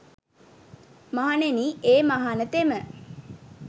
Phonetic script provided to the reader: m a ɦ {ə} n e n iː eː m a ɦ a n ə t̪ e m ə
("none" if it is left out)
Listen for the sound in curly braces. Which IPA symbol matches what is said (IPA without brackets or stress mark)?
a